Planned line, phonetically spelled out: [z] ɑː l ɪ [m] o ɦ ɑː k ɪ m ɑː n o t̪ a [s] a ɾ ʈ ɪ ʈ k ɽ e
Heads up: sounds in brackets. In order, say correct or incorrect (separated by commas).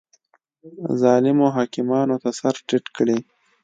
correct, correct, correct